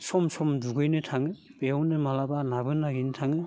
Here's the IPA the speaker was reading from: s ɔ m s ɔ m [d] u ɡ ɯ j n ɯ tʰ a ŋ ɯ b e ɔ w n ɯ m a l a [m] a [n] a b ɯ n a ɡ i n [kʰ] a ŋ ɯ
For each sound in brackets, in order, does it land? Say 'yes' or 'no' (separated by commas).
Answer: yes, no, yes, no